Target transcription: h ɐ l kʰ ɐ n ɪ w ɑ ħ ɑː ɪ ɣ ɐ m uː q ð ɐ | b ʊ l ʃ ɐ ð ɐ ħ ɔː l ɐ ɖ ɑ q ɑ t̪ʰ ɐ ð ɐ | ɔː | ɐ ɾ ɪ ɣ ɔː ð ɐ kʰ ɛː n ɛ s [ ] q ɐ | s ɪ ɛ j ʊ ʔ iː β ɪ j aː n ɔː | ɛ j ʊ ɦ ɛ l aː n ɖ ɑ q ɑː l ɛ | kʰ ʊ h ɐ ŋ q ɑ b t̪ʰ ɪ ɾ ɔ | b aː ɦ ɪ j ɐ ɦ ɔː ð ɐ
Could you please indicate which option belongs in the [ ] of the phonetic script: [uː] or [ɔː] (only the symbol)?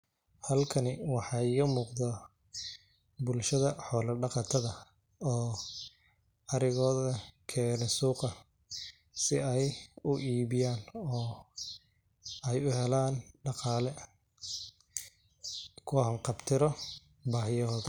uː